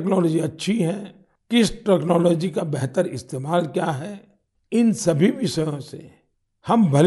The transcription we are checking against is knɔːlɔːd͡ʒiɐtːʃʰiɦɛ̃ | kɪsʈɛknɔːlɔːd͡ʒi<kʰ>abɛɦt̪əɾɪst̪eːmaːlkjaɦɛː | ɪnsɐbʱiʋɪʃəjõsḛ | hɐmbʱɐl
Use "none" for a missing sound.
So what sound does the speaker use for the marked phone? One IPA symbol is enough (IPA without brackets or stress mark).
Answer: k